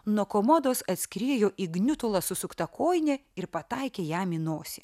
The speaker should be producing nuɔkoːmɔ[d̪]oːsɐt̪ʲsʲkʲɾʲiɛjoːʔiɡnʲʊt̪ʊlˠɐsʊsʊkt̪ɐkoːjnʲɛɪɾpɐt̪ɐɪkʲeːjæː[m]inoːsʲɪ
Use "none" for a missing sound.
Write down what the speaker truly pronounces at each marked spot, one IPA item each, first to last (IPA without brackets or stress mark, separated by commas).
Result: d̪, m